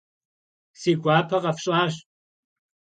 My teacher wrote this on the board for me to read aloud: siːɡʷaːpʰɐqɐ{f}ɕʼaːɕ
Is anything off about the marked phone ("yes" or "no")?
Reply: no